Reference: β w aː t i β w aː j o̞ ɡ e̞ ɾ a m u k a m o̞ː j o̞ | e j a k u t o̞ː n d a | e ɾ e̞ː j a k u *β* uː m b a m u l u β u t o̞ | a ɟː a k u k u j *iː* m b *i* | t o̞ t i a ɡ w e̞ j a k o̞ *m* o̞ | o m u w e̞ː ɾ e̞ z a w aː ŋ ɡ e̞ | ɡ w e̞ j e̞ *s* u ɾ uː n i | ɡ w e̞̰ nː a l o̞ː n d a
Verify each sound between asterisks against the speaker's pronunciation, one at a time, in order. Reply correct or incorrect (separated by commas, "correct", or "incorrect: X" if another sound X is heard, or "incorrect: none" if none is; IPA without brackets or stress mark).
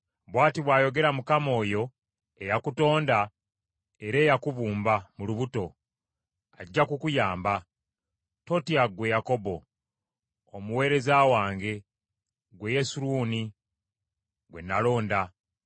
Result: correct, incorrect: aː, incorrect: a, incorrect: b, correct